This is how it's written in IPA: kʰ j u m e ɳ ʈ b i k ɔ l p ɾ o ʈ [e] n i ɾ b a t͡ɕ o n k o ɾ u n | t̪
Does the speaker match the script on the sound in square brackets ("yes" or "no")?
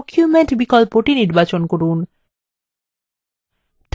no